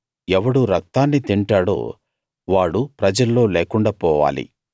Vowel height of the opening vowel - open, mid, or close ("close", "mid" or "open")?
mid